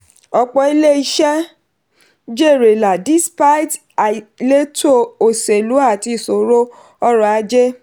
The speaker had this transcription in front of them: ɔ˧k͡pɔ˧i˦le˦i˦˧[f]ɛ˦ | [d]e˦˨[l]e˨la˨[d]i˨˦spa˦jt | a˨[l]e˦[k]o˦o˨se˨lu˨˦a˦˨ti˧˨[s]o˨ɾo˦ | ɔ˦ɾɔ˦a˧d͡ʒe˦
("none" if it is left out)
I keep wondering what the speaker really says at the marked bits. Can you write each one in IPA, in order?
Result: ʃ, d͡ʒ, ɾ, d, l, t, s

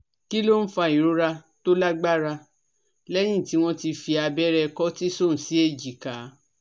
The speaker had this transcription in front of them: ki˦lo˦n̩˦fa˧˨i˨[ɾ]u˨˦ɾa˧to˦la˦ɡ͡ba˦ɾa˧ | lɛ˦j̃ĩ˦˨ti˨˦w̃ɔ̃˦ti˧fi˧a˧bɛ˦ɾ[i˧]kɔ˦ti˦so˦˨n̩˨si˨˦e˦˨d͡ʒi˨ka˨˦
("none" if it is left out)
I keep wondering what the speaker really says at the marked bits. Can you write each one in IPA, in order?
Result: ɾ, ɛ˧

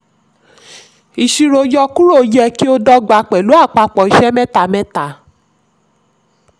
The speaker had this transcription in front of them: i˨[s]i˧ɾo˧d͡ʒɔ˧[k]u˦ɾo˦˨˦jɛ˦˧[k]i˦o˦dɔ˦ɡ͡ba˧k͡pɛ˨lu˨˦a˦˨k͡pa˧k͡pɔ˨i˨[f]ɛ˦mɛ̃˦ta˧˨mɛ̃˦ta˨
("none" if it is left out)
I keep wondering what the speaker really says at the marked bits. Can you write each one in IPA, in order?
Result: ʃ, k, k, ʃ

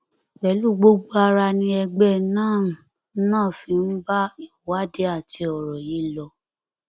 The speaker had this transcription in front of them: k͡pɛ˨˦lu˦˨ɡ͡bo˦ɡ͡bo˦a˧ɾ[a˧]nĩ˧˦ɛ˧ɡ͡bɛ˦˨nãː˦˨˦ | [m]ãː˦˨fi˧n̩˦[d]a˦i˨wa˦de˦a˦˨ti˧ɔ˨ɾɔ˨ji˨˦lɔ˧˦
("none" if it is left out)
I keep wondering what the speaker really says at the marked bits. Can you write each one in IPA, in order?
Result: a˧, n, b

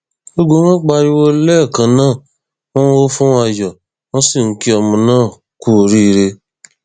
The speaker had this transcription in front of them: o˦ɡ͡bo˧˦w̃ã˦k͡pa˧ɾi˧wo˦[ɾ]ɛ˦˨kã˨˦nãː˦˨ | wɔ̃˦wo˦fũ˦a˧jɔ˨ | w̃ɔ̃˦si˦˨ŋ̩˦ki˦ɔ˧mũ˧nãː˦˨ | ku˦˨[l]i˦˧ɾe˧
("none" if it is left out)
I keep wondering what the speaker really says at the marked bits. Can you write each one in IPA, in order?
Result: l, ɾ

